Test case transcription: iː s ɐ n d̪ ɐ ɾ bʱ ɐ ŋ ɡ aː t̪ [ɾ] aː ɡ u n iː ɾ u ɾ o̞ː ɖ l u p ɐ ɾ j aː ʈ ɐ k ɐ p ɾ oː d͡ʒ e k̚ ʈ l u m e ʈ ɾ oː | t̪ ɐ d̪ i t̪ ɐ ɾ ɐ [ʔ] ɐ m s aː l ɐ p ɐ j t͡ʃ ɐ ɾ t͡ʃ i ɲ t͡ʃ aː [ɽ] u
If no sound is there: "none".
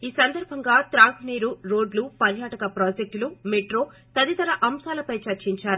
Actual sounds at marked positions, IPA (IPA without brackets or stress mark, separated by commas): ɾ, ʔ, ɾ